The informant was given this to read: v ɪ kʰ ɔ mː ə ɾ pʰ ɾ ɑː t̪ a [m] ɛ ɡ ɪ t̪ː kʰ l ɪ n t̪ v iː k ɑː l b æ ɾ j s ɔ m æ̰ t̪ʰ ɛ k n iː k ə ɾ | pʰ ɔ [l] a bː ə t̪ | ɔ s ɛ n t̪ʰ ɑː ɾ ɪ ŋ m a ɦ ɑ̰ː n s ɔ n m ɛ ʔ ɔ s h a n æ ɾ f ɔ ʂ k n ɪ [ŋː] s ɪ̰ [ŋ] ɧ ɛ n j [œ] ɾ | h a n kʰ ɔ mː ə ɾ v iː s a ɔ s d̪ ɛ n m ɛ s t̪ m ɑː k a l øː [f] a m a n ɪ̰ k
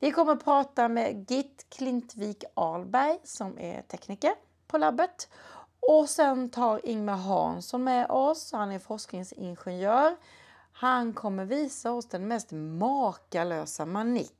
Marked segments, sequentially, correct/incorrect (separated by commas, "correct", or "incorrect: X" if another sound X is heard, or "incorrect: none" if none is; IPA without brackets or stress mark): correct, correct, incorrect: ŋ, incorrect: n, incorrect: œː, incorrect: s